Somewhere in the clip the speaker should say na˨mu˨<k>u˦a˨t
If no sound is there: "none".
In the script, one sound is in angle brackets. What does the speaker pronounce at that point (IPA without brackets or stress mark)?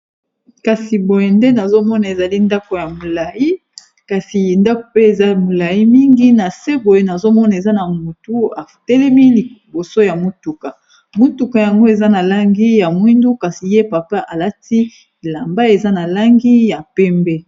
t